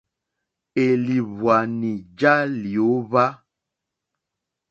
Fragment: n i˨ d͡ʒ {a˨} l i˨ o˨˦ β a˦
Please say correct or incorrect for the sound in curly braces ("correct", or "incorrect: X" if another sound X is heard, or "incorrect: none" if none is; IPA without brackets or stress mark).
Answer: incorrect: a˦